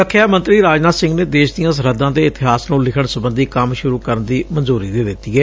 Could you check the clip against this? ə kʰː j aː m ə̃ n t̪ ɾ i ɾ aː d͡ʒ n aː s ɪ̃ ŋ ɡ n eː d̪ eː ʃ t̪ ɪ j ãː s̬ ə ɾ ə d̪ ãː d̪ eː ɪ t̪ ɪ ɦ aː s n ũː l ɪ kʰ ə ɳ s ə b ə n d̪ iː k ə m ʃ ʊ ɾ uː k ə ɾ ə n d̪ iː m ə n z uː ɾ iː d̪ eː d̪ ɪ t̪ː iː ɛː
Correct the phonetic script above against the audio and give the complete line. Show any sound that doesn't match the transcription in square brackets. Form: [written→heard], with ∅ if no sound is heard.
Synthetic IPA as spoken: ə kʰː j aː m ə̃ n t̪ ɾ [i→iː] ɾ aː d͡ʒ n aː s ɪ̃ ŋ ɡ n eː d̪ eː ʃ [t̪→d̪] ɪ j ãː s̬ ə ɾ ə d̪ ãː d̪ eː ɪ t̪ ɪ ɦ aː s n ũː l ɪ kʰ ə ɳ s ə b ə n d̪ iː k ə m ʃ ʊ ɾ uː k ə ɾ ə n d̪ iː m ə n z uː ɾ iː d̪ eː d̪ ɪ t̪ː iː ɛː